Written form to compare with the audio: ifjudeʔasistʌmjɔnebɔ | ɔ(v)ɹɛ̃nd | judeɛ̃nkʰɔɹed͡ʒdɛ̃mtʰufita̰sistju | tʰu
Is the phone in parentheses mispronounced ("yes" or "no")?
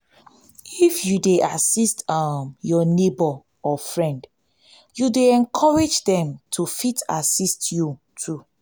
yes